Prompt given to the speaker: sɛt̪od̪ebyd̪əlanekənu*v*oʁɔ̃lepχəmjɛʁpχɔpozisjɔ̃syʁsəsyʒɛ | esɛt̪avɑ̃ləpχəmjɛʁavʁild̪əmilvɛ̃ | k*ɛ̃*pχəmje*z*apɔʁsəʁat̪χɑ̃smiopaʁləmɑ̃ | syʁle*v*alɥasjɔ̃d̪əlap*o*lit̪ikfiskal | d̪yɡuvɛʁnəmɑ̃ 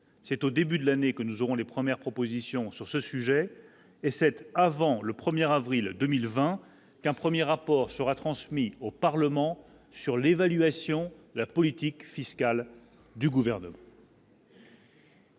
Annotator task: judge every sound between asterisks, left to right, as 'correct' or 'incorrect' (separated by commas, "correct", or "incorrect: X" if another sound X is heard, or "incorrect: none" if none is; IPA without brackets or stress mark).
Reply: incorrect: z, correct, incorrect: ʁ, correct, incorrect: ɔ